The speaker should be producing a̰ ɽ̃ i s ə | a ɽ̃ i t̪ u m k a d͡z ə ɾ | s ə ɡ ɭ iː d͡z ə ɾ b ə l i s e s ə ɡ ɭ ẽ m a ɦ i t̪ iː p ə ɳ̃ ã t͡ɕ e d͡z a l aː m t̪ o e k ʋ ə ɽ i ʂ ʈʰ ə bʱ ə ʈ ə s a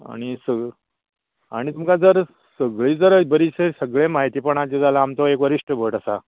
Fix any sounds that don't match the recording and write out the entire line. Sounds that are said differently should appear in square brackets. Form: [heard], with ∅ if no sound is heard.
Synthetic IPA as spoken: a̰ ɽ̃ i s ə | a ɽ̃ i t̪ u m k a d͡z ə ɾ | s ə ɡ ɭ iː d͡z ə ɾ b ə [ɾ] i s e s ə ɡ ɭ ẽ m a ɦ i t̪ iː p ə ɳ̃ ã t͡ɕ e d͡z a l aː m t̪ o e k ʋ ə [ɾ] i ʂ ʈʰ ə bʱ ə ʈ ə s a